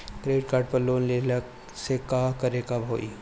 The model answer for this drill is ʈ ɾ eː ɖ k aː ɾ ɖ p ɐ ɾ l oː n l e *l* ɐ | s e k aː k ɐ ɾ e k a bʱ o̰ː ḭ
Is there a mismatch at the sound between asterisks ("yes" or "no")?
no